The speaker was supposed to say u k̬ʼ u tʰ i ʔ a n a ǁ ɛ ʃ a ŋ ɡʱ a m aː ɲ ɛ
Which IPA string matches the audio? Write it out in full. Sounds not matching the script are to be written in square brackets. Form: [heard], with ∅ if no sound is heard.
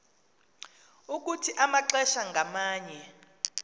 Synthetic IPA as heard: u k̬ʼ u tʰ i ʔ a [m] a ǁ ɛ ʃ a ŋ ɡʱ a m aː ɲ ɛ